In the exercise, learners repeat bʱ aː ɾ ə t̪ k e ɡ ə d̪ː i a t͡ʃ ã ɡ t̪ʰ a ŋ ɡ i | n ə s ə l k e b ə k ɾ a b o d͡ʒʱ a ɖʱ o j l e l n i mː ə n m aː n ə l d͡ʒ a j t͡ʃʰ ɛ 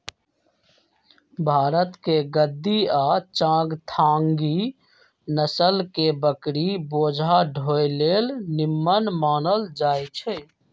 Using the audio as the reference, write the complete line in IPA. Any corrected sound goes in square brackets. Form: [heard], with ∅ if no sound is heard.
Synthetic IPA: bʱ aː ɾ ə t̪ k e ɡ ə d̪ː i a t͡ʃ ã ɡ t̪ʰ a ŋ ɡ i | n ə s ə l k e b ə k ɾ [i] b o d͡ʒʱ a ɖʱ o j l e l n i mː ə n m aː n ə l d͡ʒ a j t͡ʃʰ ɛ